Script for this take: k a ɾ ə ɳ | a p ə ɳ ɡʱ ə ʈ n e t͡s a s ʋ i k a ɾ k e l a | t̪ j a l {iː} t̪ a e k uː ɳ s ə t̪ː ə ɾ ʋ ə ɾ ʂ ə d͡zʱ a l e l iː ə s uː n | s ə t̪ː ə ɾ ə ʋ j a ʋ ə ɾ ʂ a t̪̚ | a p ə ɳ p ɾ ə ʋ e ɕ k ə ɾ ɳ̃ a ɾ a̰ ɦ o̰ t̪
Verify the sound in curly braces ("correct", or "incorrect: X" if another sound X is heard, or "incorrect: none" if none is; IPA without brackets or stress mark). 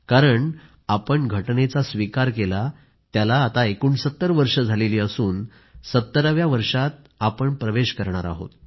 incorrect: aː